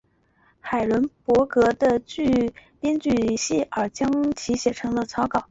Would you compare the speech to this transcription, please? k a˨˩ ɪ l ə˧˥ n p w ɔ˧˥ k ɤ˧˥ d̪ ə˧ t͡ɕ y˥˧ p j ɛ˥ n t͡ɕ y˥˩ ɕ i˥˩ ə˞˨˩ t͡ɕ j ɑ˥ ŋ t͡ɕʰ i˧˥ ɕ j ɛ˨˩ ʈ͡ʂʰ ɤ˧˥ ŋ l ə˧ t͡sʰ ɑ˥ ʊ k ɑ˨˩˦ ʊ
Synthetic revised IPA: x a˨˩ ɪ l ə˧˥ n p w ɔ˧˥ k ɤ˧˥ d̪ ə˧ t͡ɕ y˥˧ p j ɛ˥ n t͡ɕ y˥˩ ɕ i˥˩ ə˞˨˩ t͡ɕ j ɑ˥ ŋ t͡ɕʰ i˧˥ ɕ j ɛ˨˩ ʈ͡ʂʰ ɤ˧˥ ŋ l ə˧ t͡sʰ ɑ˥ ʊ k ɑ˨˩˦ ʊ